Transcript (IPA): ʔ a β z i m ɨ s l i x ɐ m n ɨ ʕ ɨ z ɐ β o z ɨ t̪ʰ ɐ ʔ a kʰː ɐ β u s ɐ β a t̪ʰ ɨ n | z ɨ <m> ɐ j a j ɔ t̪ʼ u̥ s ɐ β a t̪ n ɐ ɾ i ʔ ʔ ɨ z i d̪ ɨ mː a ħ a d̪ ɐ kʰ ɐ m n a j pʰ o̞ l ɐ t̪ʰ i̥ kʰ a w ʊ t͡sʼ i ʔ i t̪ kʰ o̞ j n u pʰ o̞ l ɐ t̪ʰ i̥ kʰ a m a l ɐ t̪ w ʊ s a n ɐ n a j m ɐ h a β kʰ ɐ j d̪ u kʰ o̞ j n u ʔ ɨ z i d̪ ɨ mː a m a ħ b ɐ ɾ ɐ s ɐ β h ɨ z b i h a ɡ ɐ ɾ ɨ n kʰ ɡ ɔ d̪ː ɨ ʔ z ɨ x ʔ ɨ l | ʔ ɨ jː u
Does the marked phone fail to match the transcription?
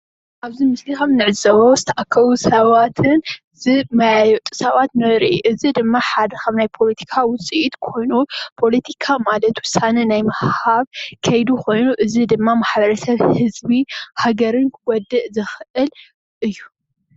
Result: no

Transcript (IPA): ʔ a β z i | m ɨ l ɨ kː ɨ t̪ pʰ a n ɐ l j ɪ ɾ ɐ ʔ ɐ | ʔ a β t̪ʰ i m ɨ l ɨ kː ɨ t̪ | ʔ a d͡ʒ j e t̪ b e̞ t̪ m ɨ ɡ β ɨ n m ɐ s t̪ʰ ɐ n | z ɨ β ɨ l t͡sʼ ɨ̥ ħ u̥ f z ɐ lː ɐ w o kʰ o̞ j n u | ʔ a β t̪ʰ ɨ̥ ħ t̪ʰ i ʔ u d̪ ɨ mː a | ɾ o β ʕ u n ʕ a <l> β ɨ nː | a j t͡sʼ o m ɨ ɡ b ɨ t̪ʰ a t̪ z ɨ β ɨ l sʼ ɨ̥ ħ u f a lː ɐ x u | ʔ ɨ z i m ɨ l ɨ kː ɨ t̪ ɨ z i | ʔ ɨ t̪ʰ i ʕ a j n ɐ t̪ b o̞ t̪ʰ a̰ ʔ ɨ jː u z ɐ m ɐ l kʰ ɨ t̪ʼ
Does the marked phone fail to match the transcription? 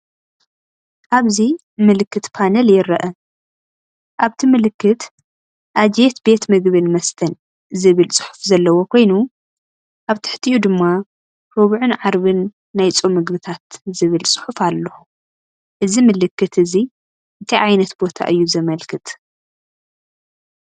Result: yes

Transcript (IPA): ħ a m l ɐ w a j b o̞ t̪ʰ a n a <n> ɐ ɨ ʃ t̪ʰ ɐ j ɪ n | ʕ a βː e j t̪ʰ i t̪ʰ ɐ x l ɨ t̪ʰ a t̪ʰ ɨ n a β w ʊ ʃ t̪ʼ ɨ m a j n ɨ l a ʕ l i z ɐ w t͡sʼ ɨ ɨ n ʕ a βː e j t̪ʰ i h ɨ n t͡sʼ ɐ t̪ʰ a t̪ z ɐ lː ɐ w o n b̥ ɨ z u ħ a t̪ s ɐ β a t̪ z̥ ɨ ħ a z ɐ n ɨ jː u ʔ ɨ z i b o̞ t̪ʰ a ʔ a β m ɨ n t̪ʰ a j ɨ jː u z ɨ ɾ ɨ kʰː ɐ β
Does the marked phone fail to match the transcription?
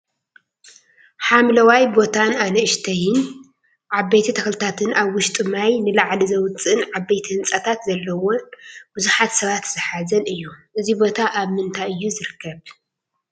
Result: no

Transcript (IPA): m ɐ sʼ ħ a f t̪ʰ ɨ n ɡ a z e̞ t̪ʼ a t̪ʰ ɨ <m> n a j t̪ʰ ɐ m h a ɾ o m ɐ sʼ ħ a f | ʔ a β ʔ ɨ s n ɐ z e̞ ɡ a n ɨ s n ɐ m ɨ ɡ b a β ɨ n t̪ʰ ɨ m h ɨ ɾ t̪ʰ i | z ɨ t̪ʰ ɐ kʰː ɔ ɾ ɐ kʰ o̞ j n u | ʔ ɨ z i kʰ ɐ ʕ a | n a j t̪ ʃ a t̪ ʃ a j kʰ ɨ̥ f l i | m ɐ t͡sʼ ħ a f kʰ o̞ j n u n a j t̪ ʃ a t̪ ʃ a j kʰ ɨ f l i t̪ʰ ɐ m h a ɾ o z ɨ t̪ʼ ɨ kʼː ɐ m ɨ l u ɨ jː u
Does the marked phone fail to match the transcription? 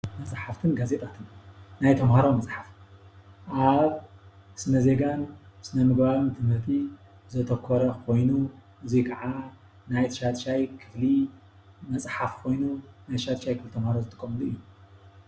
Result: yes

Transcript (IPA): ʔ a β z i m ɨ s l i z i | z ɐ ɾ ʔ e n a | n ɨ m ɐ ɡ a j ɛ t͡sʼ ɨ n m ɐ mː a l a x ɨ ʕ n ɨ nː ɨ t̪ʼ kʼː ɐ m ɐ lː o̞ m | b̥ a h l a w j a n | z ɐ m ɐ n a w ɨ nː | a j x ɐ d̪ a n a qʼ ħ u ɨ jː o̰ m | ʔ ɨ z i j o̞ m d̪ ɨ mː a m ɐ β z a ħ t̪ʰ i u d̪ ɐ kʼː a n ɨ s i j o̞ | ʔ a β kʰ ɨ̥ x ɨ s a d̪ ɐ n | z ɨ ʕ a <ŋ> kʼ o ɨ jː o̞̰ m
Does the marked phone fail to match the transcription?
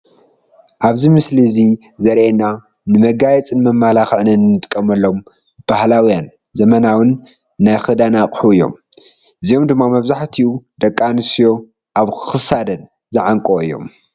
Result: no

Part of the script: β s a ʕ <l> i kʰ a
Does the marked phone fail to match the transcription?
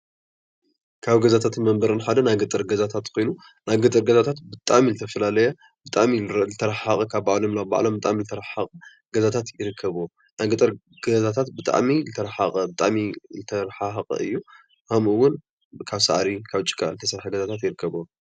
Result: yes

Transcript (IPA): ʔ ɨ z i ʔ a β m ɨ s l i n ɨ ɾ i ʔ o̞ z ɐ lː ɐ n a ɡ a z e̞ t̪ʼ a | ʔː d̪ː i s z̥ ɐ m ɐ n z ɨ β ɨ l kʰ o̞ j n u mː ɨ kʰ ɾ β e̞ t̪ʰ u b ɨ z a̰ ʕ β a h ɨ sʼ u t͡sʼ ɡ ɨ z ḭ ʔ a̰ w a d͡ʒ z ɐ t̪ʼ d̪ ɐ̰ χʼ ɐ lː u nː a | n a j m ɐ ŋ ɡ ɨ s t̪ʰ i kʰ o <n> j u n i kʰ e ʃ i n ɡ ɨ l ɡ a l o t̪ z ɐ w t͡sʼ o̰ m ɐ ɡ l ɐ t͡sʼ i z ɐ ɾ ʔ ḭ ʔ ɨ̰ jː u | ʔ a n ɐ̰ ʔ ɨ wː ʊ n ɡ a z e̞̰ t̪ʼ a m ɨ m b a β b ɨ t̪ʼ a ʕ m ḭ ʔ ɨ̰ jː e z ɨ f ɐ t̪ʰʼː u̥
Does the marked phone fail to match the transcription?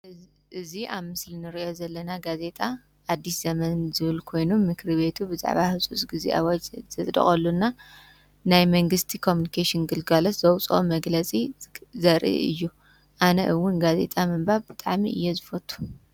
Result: yes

